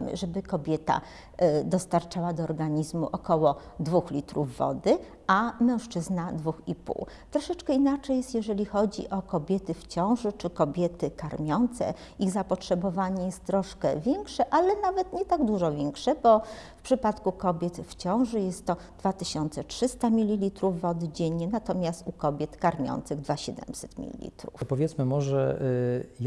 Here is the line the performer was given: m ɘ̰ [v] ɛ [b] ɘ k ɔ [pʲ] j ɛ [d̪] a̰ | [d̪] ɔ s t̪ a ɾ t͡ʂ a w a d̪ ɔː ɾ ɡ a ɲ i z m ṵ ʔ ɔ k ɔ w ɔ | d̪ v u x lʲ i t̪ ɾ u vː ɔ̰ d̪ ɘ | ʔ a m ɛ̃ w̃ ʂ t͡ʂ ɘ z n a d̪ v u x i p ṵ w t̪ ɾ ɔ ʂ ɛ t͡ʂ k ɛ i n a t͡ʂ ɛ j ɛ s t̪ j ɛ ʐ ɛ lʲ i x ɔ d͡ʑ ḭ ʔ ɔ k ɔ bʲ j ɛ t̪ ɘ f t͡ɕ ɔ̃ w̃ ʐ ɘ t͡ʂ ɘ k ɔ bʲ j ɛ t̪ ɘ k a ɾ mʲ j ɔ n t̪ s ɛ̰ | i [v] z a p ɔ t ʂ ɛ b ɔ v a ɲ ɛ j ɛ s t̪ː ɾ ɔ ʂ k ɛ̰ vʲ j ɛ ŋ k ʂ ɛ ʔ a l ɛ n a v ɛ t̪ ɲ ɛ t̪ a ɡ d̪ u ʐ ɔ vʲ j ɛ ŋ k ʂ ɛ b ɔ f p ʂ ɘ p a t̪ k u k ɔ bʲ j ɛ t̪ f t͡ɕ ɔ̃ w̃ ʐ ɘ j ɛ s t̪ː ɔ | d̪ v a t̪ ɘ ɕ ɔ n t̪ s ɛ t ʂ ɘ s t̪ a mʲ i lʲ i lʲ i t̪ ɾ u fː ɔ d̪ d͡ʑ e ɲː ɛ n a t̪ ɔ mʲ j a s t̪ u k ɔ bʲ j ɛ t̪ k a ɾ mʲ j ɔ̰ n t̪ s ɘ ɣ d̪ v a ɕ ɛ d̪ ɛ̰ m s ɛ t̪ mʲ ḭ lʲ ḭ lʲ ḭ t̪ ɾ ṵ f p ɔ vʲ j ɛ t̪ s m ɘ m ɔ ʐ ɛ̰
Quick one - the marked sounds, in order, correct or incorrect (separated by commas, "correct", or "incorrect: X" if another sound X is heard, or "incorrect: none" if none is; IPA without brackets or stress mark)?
incorrect: ʐ, correct, incorrect: bʲ, incorrect: t̪, correct, incorrect: ɣ